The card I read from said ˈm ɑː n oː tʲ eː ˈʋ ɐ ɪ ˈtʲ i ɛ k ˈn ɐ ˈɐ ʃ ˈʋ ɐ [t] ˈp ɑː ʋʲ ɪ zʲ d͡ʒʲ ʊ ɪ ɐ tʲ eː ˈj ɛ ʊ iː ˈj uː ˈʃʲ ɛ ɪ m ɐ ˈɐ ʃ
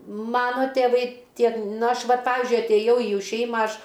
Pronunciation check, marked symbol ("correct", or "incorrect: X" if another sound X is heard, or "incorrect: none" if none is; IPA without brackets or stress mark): correct